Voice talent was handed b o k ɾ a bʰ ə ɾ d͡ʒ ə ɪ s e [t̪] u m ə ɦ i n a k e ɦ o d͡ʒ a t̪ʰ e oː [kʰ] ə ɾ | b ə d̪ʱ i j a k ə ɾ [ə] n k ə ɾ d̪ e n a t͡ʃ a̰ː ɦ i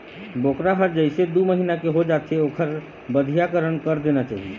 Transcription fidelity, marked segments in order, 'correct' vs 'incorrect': incorrect, correct, correct

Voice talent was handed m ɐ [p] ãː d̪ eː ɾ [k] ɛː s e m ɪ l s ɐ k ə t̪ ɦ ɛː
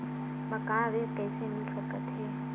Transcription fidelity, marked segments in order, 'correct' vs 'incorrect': incorrect, correct

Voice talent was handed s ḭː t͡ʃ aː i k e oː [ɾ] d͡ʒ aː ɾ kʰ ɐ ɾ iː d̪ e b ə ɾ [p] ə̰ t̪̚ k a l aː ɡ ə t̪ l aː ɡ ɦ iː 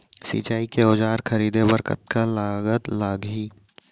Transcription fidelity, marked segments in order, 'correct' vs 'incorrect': incorrect, incorrect

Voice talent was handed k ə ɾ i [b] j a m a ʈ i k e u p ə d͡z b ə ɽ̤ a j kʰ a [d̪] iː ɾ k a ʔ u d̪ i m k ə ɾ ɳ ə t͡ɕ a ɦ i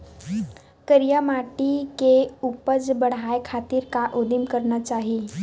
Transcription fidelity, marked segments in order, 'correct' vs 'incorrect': incorrect, incorrect

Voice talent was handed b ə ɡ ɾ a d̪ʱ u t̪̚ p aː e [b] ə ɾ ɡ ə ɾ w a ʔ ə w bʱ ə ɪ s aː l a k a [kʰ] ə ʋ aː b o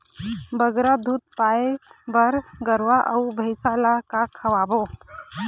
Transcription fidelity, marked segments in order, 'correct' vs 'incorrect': correct, correct

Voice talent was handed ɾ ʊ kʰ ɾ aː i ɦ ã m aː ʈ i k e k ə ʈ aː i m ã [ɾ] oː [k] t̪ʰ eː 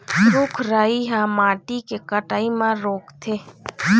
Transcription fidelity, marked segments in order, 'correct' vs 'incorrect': correct, correct

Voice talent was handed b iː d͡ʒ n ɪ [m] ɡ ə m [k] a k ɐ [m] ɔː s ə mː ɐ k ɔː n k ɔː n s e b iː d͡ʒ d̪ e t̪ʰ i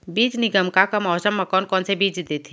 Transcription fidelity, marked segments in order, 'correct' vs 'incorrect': incorrect, correct, correct

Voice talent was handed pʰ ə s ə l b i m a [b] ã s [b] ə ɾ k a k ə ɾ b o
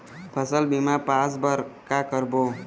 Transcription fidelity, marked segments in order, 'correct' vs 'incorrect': incorrect, correct

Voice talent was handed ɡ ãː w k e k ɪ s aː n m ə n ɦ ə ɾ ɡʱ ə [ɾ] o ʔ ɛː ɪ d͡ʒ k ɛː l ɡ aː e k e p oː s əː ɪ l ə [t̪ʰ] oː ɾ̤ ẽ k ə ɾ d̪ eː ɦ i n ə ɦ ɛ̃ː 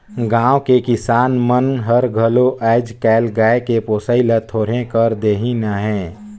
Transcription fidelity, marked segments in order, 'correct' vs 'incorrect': incorrect, correct

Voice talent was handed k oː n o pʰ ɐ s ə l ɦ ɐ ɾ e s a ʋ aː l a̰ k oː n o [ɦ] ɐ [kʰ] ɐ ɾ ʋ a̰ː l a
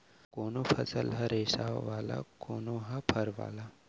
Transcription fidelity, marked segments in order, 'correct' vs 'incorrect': correct, incorrect

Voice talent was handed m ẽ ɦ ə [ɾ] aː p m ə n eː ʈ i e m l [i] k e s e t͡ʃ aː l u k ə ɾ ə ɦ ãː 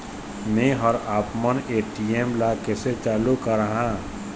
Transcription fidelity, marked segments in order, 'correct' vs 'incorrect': correct, incorrect

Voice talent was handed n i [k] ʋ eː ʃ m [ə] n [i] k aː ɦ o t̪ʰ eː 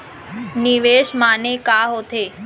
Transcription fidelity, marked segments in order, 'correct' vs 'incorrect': incorrect, incorrect, incorrect

